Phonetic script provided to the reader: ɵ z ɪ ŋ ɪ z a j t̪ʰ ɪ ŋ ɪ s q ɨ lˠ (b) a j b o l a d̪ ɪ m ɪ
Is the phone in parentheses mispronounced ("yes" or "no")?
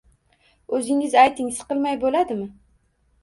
yes